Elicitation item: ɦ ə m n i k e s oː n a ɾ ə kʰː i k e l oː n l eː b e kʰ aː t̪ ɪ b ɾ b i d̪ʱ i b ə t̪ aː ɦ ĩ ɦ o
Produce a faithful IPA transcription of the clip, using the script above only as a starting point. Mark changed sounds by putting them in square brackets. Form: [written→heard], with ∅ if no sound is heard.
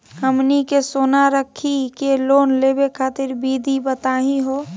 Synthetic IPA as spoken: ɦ ə m n i k e s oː n a ɾ ə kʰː i k e l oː n l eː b e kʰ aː t̪ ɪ [b→∅] ɾ b i d̪ʱ i b ə t̪ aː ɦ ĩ ɦ o